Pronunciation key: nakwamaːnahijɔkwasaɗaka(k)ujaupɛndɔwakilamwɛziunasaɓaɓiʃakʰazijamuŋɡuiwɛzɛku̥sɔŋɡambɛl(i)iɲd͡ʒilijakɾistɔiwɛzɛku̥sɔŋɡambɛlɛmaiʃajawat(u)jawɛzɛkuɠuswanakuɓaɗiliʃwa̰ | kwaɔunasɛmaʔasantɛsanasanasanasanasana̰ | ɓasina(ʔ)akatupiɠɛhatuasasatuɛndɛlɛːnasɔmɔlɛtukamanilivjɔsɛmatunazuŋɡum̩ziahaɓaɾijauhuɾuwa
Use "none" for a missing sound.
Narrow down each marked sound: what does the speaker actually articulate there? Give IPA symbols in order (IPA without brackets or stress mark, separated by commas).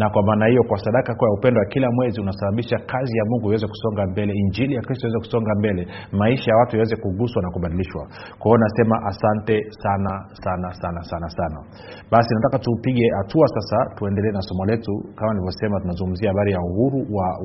k, ɛ, u, t